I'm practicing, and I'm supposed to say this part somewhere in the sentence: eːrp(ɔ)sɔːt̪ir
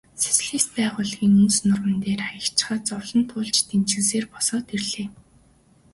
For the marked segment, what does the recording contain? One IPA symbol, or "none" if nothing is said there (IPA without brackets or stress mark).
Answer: ɔ